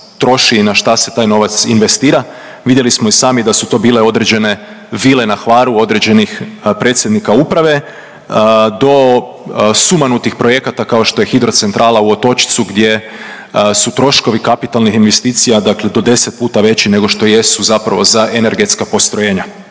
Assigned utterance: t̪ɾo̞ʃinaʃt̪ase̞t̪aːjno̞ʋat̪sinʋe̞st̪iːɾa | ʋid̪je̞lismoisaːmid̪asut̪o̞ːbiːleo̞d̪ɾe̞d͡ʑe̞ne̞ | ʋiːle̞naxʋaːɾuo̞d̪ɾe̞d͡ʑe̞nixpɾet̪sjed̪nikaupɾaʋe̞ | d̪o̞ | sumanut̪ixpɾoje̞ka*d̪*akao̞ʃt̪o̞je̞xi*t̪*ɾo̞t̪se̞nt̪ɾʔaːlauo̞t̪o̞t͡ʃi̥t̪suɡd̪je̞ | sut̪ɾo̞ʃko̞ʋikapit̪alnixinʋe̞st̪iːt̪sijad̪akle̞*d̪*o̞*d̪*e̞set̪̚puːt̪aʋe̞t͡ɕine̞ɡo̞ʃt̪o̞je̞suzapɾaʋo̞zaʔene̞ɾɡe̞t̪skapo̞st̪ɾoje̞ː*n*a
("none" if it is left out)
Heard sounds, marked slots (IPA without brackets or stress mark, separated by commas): t̪, d̪, d̪, d̪, ɲ